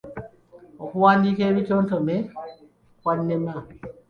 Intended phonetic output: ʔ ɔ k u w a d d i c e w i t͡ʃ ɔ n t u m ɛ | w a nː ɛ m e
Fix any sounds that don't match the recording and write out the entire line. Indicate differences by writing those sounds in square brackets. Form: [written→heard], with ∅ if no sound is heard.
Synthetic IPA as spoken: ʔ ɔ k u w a [d→n] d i [c→k] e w i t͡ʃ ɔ n t [u→ɔ] m ɛ | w a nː ɛ m [e→a]